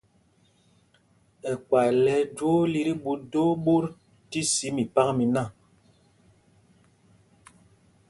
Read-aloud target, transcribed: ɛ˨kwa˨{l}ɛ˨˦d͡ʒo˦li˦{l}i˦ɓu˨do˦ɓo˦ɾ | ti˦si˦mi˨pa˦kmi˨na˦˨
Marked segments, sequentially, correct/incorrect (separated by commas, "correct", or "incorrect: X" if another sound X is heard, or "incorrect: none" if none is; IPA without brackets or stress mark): correct, incorrect: ɾ